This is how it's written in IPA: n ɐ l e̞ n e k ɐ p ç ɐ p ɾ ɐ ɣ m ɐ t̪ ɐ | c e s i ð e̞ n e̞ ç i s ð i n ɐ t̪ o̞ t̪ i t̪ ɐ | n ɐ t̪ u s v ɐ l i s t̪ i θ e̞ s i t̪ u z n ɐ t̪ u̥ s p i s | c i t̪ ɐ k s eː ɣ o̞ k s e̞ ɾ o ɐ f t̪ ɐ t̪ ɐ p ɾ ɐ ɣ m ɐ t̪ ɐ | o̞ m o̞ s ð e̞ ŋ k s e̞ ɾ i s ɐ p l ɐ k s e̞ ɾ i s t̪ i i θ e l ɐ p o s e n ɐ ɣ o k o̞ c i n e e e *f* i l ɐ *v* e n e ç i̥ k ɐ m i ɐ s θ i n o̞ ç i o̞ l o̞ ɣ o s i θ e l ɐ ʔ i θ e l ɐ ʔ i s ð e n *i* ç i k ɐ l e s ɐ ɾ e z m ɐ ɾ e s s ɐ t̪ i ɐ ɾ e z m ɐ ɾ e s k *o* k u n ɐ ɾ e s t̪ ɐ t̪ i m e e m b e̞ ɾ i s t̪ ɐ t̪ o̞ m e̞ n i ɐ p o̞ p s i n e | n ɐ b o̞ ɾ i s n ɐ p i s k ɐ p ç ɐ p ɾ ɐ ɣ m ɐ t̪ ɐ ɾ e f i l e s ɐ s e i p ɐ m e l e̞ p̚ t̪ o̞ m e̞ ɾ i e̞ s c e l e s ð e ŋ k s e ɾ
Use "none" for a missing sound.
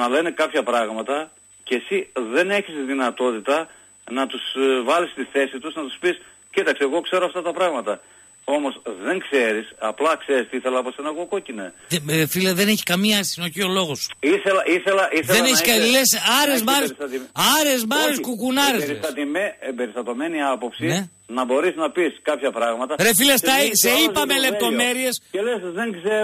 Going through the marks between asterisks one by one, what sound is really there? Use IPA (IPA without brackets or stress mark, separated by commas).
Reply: f, ð, e, u